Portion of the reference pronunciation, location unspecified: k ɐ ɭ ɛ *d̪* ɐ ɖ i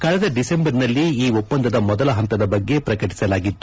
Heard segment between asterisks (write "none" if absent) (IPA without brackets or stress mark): d̪